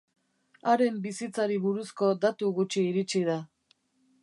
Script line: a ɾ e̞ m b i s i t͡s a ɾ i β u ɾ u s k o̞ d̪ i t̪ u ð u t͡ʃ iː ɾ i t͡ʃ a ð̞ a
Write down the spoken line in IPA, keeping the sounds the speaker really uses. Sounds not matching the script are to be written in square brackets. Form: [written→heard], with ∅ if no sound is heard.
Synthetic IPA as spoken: a ɾ e̞ m b i s i t͡s a ɾ i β u ɾ u s k o̞ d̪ [i→a] t̪ u [ð→ɣ] u t͡ʃ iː ɾ i t͡ʃ [a→i] ð̞ a